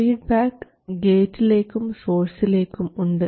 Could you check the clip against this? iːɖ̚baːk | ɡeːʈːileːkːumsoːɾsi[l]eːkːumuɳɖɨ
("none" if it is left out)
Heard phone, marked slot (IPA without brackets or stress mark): l